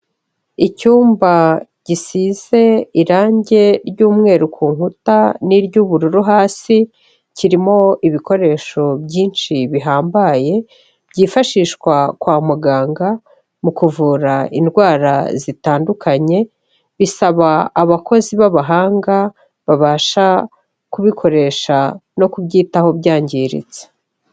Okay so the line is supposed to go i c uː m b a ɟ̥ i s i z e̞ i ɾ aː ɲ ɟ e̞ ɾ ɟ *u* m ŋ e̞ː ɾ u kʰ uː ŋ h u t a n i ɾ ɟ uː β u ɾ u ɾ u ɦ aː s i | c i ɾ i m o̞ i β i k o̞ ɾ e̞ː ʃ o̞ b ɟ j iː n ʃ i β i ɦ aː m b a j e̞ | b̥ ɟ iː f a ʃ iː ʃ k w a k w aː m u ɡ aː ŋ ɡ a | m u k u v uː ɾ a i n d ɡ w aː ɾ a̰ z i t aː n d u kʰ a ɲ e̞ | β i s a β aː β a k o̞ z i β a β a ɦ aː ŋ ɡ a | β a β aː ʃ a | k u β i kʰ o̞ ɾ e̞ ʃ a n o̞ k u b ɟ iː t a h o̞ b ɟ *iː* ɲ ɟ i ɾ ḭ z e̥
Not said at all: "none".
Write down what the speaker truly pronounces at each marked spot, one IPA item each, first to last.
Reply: uː, aː

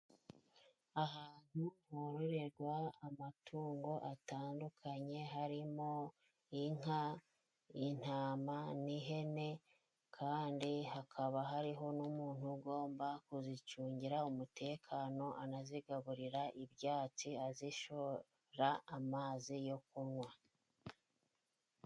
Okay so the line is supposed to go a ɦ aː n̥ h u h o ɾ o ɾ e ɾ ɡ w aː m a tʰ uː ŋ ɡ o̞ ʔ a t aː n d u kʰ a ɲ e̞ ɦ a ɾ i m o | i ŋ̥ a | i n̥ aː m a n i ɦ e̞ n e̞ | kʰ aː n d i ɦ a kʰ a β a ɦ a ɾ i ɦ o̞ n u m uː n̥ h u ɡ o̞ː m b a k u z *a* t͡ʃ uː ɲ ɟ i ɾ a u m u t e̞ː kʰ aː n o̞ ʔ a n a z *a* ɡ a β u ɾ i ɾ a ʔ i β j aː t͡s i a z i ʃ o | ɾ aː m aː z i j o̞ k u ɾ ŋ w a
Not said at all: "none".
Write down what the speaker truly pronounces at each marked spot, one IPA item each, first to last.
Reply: i, i

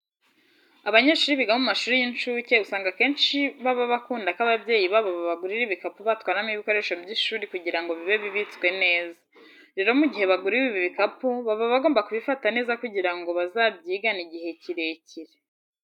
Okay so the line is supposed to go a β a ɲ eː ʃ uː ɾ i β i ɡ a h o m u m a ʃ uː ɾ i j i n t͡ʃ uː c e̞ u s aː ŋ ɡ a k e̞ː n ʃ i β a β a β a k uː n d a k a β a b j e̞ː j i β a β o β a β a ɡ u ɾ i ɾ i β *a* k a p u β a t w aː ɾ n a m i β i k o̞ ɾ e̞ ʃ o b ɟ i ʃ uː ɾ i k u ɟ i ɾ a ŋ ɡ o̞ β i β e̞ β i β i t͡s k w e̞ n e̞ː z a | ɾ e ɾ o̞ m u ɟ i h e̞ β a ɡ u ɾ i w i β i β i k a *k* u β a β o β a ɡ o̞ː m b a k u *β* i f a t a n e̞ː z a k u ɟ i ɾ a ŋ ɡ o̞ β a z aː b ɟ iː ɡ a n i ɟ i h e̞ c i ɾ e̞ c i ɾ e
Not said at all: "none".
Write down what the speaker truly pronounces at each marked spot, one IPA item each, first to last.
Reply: i, p, β

